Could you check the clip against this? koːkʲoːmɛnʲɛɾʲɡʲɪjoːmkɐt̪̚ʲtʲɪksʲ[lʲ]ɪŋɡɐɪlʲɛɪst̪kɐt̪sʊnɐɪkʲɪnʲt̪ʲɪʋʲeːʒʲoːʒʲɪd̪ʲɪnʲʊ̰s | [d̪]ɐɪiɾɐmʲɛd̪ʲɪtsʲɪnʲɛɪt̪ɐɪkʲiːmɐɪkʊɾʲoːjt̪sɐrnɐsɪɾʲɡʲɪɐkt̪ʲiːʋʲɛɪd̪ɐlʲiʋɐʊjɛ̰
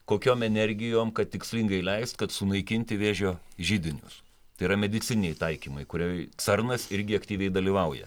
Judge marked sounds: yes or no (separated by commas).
yes, no